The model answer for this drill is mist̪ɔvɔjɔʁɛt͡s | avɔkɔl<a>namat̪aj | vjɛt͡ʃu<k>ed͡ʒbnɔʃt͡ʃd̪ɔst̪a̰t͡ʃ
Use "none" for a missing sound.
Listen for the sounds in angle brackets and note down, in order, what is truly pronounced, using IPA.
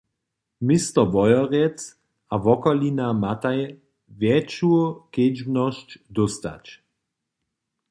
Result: i, k

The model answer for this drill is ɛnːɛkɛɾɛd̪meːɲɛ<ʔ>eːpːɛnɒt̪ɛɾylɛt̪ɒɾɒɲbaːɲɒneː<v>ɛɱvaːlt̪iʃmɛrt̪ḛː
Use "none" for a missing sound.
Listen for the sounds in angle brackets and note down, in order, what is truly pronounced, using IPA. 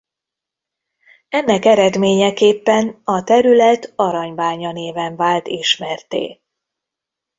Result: k, v

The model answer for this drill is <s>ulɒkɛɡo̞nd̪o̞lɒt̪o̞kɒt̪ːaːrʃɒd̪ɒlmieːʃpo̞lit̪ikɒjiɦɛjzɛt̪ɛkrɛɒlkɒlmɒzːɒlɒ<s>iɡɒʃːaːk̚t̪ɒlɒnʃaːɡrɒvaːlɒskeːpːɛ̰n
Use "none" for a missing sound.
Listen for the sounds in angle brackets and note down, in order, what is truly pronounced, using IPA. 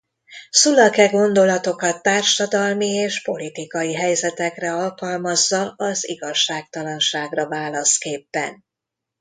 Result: s, z

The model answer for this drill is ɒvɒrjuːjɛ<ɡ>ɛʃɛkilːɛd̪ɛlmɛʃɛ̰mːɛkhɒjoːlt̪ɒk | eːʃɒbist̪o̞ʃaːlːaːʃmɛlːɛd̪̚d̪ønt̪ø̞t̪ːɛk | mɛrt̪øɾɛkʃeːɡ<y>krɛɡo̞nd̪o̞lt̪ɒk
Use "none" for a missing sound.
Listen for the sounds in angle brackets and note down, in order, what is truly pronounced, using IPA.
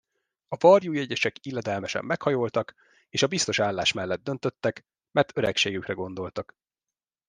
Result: ɟ, y

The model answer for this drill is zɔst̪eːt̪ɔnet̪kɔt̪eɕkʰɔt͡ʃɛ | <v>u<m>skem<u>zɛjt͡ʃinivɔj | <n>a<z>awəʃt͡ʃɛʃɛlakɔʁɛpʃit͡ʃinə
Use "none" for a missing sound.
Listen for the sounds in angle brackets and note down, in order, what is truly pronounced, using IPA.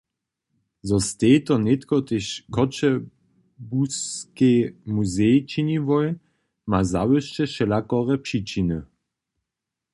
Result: b, none, u, m, z

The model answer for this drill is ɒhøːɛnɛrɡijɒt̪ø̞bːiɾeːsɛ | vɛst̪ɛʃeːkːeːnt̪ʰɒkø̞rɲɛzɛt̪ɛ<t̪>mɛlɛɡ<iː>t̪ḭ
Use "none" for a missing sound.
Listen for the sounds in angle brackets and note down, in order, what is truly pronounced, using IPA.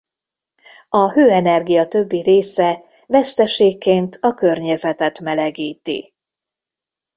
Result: t̪, iː

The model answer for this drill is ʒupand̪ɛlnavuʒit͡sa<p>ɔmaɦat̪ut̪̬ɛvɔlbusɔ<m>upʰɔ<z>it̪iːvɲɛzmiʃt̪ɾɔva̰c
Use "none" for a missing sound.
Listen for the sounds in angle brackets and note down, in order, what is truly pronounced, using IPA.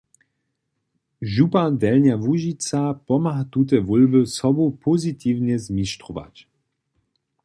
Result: p, b, z

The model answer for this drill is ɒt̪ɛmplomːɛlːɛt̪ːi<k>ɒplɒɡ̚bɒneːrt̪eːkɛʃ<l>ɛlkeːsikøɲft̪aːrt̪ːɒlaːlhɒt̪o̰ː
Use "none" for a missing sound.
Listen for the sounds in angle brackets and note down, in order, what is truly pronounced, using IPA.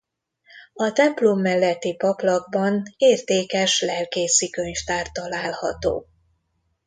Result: p, l

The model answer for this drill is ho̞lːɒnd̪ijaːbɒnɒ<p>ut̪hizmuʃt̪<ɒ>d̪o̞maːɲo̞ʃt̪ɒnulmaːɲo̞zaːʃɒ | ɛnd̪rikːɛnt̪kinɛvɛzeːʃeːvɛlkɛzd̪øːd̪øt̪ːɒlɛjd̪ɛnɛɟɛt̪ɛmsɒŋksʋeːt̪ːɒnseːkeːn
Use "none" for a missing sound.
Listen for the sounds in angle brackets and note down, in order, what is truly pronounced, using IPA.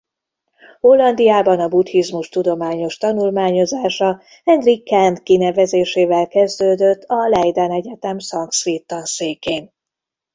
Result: b, u

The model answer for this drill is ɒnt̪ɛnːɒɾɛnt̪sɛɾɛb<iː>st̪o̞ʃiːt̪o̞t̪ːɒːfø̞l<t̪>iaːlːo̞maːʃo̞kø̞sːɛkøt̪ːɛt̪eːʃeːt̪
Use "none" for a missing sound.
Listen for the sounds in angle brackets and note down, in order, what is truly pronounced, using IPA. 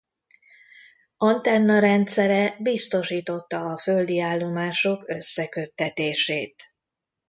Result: i, d̪

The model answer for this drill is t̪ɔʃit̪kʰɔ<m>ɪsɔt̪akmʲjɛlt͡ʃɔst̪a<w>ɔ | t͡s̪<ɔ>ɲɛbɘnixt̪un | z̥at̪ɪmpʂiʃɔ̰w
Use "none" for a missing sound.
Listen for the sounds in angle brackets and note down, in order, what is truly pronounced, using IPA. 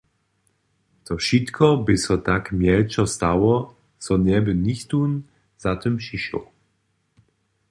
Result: b, w, ɔ

